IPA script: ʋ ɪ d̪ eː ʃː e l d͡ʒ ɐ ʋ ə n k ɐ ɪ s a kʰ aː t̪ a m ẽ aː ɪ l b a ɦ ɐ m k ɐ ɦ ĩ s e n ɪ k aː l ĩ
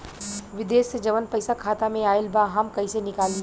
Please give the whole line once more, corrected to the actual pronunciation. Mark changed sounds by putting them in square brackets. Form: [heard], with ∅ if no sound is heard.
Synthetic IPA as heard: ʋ ɪ d̪ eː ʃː e [∅] d͡ʒ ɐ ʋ ə n [p] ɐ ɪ s a kʰ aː t̪ a m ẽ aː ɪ l b a ɦ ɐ m k ɐ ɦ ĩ s e n ɪ k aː l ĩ